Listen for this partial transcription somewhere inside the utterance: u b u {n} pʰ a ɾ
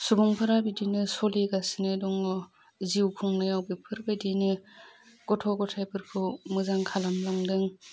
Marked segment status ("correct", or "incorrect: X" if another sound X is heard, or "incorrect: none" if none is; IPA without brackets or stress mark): incorrect: ŋ